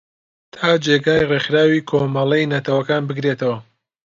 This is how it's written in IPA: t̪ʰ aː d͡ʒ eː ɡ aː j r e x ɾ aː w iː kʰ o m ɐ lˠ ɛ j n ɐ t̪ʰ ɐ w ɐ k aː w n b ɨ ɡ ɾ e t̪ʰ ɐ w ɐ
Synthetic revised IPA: t̪ʰ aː d͡ʒ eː ɡ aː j r e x ɾ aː w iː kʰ o m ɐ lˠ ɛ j n ɐ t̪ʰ ɐ w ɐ k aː n b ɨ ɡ ɾ e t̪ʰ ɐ w ɐ

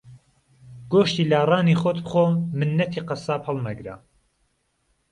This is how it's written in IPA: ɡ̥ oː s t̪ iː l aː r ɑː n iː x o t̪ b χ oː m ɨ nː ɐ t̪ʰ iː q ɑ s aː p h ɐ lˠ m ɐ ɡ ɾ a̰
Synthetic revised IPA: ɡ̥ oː ʃ t̪ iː l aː r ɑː n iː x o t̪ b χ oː m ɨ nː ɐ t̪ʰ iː q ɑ s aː p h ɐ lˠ m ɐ ɡ ɾ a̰

